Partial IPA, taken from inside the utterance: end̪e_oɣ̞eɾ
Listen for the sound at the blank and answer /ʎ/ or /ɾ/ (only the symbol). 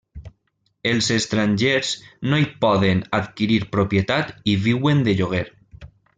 ʎ